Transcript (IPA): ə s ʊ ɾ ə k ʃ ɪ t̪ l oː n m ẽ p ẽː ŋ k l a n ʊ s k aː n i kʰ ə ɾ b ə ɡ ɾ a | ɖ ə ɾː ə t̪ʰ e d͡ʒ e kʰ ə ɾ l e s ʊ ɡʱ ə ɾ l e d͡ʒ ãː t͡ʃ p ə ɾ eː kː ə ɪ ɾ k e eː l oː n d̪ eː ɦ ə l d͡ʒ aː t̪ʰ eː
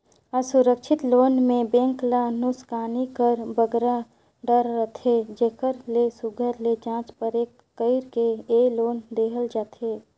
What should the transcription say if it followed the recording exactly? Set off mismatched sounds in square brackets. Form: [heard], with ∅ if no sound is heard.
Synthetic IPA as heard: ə s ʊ ɾ ə k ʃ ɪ t̪ l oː n m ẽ [b] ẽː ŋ k l a n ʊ s k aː n i [k] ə ɾ b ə ɡ ɾ a | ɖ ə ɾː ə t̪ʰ e d͡ʒ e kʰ ə ɾ l e s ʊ ɡʱ ə ɾ l e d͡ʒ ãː t͡ʃ p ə ɾ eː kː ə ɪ ɾ k e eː l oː n d̪ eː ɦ ə l d͡ʒ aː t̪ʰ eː